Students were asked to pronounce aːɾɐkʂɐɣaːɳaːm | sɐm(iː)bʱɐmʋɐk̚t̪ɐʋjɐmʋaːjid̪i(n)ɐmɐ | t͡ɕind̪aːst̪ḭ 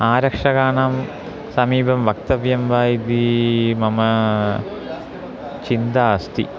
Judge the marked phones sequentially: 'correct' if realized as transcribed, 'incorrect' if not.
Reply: correct, incorrect

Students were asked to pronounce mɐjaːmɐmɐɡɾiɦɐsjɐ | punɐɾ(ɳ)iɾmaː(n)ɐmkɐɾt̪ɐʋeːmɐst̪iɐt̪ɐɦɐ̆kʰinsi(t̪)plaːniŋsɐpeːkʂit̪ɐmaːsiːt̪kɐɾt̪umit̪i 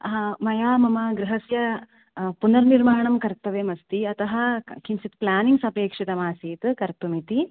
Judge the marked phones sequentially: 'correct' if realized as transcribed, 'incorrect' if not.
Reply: incorrect, incorrect, correct

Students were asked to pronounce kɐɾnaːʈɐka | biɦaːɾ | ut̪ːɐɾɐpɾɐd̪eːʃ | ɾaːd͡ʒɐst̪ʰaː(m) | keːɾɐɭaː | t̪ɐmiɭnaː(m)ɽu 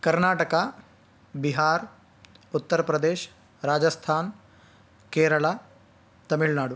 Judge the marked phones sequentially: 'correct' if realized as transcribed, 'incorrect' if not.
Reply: incorrect, incorrect

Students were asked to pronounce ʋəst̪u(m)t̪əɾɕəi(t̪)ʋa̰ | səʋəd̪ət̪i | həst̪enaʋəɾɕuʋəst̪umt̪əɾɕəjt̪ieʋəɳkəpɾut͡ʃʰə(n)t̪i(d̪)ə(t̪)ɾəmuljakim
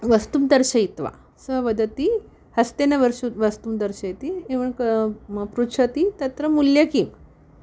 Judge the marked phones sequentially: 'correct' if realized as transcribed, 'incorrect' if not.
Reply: correct, correct, incorrect, incorrect, correct

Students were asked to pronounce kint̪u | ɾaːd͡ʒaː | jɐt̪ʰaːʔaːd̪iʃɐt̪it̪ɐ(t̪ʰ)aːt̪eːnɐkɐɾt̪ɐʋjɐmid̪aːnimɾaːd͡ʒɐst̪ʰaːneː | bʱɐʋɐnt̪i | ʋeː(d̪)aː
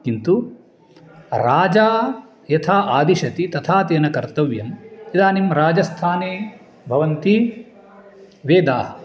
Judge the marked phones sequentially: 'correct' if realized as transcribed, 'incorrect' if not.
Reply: correct, correct

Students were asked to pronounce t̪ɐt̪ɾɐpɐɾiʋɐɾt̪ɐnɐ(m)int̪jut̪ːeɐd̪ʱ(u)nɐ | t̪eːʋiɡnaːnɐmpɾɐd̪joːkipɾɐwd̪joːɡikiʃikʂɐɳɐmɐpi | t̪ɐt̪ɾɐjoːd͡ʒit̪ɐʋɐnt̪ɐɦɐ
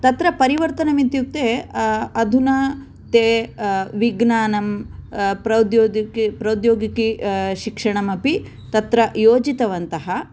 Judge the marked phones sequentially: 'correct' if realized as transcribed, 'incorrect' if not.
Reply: correct, correct

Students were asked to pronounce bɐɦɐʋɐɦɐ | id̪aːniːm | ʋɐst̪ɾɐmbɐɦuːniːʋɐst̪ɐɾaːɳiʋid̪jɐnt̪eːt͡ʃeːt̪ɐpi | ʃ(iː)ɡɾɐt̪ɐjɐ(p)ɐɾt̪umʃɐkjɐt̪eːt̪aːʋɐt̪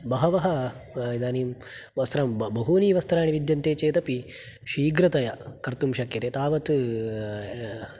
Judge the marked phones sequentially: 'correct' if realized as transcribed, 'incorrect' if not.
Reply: correct, incorrect

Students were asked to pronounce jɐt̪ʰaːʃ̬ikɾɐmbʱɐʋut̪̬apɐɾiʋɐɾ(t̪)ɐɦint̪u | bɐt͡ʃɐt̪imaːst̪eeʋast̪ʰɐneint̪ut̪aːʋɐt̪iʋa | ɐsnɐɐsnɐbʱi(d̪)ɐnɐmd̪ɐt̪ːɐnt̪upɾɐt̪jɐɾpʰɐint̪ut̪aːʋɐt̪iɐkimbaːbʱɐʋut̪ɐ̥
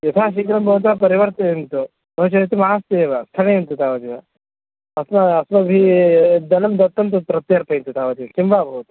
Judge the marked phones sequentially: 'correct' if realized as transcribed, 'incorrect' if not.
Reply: correct, correct

